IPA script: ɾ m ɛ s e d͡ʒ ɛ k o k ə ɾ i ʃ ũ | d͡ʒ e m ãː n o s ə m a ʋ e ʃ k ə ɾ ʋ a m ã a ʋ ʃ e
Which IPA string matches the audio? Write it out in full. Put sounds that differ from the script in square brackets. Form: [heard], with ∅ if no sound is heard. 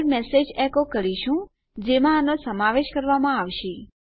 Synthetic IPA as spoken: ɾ m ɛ s e d͡ʒ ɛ k o k ə ɾ i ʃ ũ | d͡ʒ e m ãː n o s ə m a ʋ e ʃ k ə ɾ ʋ a m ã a ʋ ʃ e